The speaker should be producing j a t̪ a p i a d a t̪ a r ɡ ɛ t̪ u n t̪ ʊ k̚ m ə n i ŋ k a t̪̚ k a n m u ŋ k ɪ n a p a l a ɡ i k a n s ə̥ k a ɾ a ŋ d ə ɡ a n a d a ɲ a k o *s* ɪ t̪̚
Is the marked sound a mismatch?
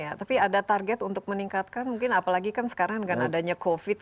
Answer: yes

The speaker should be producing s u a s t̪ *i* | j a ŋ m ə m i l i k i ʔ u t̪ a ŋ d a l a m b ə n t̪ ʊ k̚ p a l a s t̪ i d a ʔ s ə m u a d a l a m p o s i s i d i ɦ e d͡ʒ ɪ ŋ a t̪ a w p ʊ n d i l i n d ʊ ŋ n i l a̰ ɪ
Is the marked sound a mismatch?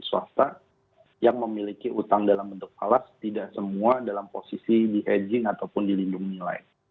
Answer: yes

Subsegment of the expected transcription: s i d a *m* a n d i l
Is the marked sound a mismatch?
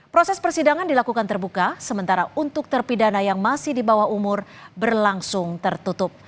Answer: yes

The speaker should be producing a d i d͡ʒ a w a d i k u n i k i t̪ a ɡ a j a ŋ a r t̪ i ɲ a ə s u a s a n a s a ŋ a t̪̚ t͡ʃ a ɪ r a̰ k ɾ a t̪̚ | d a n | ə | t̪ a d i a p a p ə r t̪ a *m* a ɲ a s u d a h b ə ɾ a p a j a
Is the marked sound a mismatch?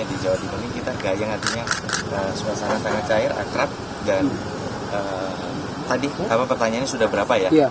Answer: yes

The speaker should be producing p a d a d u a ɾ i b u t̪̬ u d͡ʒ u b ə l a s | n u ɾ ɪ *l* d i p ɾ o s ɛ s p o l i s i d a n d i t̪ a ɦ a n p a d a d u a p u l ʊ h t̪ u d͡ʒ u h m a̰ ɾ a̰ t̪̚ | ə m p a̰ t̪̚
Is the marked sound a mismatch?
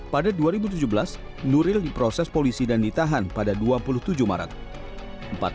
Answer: no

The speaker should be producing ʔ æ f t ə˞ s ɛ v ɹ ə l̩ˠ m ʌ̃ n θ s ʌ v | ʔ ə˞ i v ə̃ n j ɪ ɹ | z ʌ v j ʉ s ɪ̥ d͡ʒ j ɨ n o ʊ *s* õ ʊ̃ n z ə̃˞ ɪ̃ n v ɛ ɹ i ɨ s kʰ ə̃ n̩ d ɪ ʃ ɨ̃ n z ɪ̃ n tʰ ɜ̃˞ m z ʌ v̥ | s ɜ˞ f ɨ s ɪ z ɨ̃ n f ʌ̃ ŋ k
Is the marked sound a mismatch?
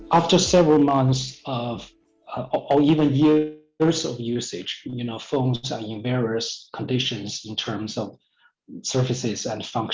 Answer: yes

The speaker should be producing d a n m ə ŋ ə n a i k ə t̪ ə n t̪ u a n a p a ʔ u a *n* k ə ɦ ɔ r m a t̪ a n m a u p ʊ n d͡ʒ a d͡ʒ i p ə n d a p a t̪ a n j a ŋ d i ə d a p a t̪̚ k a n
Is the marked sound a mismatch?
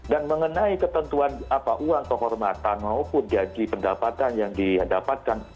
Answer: yes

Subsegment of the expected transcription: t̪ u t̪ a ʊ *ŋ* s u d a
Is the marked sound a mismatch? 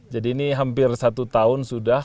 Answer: yes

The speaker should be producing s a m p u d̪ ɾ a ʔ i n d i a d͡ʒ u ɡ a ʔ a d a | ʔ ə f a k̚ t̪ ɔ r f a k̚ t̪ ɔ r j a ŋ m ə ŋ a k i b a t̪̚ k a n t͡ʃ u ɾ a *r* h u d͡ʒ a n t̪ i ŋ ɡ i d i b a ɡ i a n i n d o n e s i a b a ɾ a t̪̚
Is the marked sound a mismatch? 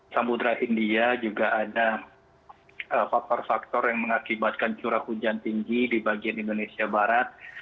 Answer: yes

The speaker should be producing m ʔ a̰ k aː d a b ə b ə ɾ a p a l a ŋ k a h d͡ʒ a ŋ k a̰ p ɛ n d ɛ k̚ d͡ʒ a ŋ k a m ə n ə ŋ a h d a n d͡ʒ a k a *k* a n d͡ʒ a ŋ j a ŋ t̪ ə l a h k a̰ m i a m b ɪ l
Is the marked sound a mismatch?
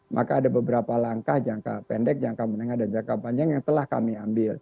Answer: yes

